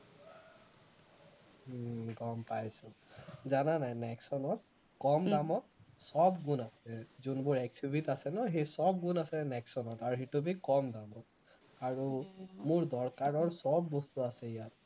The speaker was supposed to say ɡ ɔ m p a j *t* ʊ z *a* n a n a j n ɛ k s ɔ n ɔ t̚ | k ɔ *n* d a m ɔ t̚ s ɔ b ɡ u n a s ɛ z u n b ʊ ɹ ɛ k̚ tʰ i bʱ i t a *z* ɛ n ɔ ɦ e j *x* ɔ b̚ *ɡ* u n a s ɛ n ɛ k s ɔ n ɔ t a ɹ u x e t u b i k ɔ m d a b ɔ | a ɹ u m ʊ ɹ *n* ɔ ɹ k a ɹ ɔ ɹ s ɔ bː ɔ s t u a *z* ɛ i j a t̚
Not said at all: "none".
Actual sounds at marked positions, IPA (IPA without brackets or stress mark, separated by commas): s, a, m, s, s, ɡ, d, s